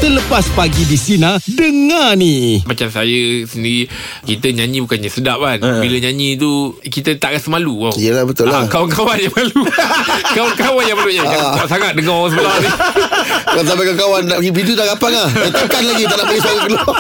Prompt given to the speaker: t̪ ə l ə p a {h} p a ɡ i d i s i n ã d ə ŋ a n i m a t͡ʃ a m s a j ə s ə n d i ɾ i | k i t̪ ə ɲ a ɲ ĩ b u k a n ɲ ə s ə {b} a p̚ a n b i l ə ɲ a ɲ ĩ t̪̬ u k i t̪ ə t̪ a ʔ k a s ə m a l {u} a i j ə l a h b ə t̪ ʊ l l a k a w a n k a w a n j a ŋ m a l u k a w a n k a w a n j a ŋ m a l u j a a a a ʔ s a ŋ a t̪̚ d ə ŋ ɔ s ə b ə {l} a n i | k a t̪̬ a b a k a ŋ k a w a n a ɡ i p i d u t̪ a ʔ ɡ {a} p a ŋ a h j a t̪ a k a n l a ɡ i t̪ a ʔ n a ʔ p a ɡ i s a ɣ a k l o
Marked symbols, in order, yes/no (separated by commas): no, no, yes, yes, yes